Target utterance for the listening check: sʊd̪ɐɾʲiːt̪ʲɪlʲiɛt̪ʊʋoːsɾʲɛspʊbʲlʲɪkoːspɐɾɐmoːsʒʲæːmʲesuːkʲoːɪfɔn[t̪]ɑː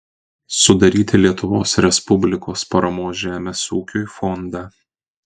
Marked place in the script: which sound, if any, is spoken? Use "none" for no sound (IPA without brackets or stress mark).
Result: d̪